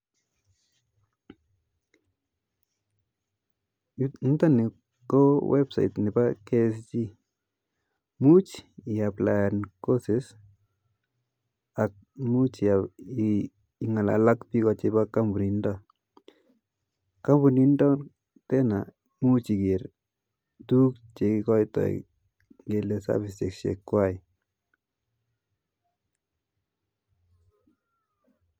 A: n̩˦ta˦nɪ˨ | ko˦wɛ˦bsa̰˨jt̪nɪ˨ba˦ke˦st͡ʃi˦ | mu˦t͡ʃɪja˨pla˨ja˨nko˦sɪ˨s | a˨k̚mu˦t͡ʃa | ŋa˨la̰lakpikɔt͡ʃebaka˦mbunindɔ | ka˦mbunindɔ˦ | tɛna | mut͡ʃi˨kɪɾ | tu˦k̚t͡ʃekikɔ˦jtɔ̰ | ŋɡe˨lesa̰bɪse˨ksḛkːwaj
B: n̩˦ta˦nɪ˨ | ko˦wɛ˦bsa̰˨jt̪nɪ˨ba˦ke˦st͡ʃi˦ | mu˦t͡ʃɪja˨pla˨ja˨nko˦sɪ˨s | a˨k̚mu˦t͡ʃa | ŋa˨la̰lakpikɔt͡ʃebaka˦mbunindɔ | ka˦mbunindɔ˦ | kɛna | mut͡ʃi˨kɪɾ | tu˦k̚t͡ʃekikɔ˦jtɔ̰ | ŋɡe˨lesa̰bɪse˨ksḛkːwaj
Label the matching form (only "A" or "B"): A